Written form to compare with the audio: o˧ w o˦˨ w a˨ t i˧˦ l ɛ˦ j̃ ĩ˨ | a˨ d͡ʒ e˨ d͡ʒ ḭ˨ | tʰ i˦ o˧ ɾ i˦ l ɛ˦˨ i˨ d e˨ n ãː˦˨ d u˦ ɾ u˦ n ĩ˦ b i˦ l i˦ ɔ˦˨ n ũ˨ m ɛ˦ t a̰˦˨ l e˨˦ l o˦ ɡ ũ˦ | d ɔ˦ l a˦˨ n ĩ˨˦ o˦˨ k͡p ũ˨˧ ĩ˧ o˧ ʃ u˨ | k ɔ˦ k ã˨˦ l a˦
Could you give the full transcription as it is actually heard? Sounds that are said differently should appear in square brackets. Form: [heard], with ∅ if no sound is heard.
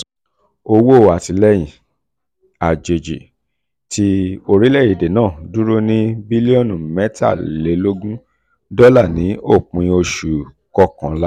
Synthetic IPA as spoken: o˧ w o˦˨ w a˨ t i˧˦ l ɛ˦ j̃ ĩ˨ | a˨ d͡ʒ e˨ d͡ʒ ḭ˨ | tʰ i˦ o˧ ɾ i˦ l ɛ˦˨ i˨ d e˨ n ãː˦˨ d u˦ ɾ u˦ n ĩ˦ b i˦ l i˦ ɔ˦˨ n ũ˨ m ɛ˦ t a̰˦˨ l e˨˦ l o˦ ɡ ũ˦ | d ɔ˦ l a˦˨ n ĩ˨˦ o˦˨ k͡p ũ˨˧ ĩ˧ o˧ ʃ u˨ | k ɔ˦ k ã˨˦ l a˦